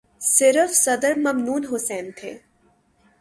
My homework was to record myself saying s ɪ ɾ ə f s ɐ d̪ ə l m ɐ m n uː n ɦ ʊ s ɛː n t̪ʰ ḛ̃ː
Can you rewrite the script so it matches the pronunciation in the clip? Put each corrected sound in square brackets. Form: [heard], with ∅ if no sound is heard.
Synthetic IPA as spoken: s ɪ ɾ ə f s ɐ d̪ ə [ɾ] m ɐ m n uː n ɦ ʊ s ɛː n t̪ʰ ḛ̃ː